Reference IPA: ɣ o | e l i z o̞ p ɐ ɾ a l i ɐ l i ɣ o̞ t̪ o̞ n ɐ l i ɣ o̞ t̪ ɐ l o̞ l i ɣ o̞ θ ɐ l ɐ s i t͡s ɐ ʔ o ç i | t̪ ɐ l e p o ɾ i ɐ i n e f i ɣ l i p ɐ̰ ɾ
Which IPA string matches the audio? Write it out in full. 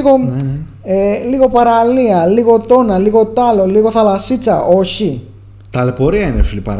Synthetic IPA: ɣ o | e l i ɣ o̞ p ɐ ɾ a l i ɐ l i ɣ o̞ t̪ o̞ n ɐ l i ɣ o̞ t̪ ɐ l o̞ l i ɣ o̞ θ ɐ l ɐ s i t͡s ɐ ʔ o ç i | t̪ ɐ l e p o ɾ i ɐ i n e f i l i p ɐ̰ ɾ